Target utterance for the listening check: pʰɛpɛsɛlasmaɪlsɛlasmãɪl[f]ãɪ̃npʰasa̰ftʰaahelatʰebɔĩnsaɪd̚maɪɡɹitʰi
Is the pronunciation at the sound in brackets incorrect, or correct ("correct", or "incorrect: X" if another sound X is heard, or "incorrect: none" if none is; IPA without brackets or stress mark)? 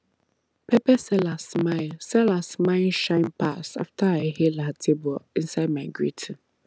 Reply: incorrect: ʃ